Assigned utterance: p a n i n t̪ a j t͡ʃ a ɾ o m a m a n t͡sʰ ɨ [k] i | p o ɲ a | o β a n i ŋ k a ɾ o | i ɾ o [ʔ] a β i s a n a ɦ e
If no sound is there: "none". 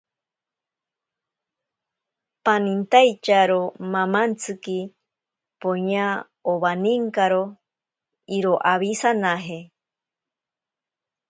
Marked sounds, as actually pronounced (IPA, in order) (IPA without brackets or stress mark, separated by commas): k, ʔ